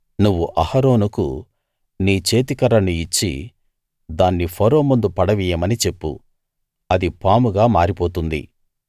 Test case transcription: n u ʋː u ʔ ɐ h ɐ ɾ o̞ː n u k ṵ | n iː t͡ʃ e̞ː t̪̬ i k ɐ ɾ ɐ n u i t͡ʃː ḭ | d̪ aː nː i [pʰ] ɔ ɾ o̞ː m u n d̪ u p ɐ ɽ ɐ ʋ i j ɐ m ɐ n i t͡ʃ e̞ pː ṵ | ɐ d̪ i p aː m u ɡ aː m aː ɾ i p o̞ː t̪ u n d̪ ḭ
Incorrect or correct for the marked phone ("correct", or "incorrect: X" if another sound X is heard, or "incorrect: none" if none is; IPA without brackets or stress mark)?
correct